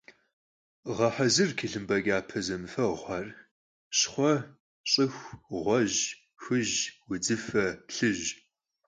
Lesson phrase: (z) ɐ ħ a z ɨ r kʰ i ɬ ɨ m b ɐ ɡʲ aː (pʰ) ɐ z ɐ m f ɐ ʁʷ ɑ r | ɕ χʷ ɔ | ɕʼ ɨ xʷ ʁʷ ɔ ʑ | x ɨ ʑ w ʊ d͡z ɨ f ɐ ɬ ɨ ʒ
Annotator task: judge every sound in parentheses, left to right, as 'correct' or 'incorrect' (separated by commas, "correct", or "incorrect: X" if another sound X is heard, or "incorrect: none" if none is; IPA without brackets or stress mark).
incorrect: ʁ, correct